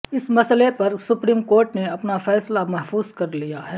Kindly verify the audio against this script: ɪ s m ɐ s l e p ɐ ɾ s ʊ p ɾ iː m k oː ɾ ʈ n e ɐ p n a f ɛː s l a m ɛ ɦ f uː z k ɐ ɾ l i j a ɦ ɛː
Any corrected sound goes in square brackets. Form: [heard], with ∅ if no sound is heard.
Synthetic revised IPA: ɪ s m ɐ s l e p ɐ ɾ s ʊ p ɾ iː m k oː ɾ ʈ n e ɐ p n a f ɛː s l a m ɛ ɦ f uː z k ɐ ɾ l i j a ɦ ɛː